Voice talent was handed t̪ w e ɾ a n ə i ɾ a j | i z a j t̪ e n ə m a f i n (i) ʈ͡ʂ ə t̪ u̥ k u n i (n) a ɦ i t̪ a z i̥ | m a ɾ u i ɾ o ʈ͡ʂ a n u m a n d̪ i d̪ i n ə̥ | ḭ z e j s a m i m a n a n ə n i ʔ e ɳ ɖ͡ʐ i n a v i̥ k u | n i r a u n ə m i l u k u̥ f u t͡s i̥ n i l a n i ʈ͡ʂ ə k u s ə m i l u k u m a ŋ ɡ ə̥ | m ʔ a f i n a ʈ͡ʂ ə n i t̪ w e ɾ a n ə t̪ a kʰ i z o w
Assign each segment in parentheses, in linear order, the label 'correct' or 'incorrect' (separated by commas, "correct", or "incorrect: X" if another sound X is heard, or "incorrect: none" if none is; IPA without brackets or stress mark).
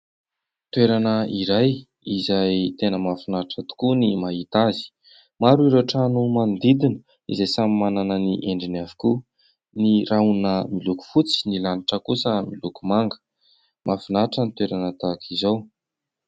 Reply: incorrect: a, incorrect: m